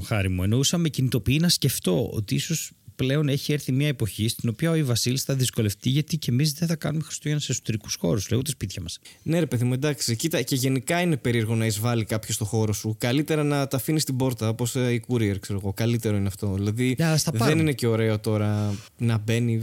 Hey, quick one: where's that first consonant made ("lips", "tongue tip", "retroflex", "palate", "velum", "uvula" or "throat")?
velum